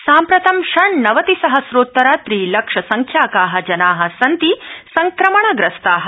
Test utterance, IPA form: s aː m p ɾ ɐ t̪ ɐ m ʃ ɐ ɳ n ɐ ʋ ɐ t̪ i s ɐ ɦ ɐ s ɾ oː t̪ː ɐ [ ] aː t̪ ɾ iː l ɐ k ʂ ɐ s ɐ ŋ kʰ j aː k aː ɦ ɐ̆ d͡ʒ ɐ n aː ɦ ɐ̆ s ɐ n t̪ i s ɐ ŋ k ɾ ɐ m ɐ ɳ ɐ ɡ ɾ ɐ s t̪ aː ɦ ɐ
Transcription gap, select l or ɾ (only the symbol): ɾ